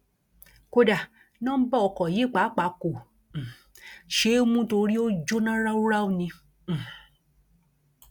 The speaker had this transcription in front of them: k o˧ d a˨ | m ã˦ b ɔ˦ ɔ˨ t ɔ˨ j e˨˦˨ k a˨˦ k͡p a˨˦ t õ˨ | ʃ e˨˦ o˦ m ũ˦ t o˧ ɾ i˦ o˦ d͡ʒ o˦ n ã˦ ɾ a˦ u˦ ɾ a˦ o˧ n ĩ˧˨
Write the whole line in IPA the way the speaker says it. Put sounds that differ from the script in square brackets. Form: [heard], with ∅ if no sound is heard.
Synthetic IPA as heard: k o˧ d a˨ | [n] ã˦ b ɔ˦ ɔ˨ [k] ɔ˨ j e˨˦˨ [k͡p] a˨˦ k͡p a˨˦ [k] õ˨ | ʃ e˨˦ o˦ m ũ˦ t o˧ ɾ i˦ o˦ d͡ʒ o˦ n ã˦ ɾ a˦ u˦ ɾ a˦ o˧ n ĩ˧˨